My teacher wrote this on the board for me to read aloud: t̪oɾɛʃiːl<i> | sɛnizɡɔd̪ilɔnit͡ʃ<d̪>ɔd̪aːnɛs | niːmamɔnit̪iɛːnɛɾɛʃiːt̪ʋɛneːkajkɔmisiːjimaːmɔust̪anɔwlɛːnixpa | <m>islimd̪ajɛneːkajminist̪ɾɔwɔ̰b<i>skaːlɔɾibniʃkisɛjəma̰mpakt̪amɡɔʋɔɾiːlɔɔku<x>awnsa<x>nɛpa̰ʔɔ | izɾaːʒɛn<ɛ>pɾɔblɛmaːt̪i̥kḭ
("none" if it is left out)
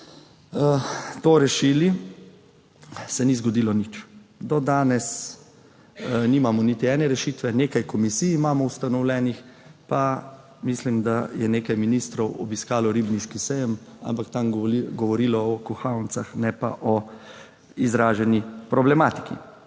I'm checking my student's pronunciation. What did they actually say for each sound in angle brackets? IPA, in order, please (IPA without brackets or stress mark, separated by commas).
i, d̪, m, i, x, x, i